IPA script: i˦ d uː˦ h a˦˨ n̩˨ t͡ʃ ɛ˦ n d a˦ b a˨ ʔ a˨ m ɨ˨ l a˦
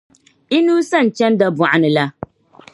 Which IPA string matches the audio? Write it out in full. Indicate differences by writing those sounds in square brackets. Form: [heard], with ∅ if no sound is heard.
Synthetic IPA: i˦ [n] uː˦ [s] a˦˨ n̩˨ t͡ʃ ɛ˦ n d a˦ b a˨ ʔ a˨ [n] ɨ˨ l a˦